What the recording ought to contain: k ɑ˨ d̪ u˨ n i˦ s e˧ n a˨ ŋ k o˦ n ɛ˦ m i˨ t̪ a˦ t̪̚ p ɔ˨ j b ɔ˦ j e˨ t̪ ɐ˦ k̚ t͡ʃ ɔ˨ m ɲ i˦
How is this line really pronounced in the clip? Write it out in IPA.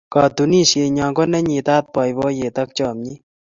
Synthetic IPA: k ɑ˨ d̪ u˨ n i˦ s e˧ ɲ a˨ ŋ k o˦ n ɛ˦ ɲ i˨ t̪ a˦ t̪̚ p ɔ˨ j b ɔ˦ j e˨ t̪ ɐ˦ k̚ t͡ʃ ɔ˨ m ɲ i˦